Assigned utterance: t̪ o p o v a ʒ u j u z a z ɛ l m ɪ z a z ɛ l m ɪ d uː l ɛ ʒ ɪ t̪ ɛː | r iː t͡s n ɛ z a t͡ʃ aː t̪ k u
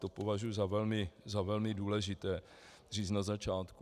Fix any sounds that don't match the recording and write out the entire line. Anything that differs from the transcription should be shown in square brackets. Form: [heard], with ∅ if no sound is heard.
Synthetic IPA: t̪ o p o v a ʒ u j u z a [v] ɛ l m ɪ z a [v] ɛ l m ɪ d uː l ɛ ʒ ɪ t̪ ɛː | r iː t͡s n [a] z a t͡ʃ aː t̪ k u